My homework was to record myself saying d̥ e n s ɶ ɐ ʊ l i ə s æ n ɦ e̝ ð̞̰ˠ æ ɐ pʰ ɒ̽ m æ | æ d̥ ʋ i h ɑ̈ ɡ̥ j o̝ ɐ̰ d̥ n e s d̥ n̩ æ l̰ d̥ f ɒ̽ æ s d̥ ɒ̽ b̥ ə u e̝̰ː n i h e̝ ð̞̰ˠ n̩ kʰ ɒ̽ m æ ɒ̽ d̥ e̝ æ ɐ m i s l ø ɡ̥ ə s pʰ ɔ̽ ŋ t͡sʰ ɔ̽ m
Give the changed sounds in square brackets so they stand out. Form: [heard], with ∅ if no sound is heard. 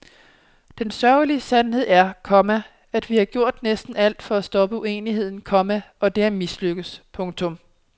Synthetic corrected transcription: d̥ e n s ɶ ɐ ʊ l i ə s æ n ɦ e̝ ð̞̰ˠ æ ɐ [kʰ] ɒ̽ m æ | æ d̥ ʋ i h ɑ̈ ɡ̥ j o̝ ɐ̰ d̥ n e s d̥ n̩ æ l̰ d̥ f ɒ̽ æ s d̥ ɒ̽ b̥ ə u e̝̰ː n i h e̝ ð̞̰ˠ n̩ kʰ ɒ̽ m æ ɒ̽ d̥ e̝ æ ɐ m i s l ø ɡ̥ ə s pʰ ɔ̽ ŋ t͡sʰ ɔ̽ m